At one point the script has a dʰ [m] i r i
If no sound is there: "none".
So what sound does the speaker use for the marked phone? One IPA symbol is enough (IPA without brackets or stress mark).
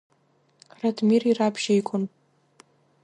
m